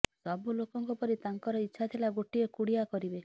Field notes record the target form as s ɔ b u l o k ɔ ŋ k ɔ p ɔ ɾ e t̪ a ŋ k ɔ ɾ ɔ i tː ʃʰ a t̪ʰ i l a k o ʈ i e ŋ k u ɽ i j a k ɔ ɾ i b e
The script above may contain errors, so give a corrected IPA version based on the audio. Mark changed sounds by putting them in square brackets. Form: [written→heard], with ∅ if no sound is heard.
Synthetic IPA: s ɔ b u l o k ɔ ŋ k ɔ p ɔ ɾ [e→i] t̪ a ŋ k ɔ ɾ ɔ i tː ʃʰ a t̪ʰ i l a [k→ɡ] o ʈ i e [ŋ→∅] k u ɽ i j a k ɔ ɾ i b e